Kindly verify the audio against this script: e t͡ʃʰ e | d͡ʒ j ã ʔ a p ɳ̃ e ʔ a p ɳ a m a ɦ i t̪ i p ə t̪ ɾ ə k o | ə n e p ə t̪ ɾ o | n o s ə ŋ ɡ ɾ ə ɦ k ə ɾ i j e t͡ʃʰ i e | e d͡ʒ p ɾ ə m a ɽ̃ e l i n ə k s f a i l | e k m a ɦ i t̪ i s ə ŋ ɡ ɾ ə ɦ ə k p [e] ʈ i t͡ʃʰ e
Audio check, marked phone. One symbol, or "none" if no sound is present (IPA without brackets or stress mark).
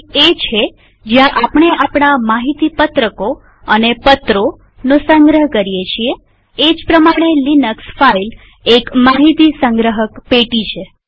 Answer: e